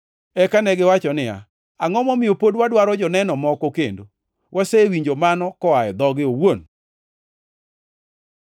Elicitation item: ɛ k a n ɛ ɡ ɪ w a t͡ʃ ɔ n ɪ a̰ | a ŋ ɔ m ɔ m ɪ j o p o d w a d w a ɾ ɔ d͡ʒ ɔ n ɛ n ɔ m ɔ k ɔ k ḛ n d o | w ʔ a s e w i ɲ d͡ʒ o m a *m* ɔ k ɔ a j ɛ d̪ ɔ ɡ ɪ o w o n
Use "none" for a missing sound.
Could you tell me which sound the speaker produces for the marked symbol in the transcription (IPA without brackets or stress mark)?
n